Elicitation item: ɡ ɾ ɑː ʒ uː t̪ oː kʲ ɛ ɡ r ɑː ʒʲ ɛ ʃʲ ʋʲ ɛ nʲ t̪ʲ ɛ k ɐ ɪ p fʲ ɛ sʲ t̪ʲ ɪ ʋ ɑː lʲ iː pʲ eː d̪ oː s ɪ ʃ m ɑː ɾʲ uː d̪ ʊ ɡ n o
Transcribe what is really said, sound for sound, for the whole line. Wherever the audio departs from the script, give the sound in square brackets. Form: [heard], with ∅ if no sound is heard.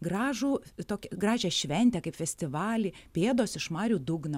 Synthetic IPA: ɡ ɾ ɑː ʒ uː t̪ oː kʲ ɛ ɡ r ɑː ʒʲ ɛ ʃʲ ʋʲ ɛ nʲ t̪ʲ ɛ k ɐ ɪ p fʲ ɛ sʲ t̪ʲ ɪ ʋ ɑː lʲ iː pʲ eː d̪ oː s ɪ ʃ m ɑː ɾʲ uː d̪ ʊ ɡ n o